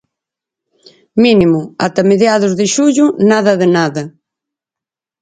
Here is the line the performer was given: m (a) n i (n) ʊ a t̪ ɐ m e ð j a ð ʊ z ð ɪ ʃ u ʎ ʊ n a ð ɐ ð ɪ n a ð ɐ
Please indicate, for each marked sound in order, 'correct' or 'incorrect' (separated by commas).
incorrect, incorrect